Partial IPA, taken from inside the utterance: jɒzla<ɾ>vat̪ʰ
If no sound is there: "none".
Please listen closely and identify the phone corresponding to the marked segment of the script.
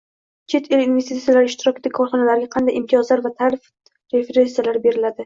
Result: ɾ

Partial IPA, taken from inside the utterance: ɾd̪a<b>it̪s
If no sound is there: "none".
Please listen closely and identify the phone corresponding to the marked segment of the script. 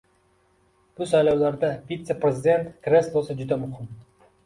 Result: v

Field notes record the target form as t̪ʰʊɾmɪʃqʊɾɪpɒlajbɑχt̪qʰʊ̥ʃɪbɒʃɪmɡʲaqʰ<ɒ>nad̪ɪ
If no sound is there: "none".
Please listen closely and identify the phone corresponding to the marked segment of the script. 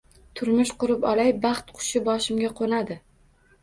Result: o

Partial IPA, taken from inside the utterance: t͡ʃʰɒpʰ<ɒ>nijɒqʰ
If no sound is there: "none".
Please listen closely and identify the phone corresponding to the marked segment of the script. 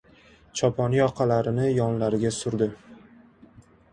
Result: ɒ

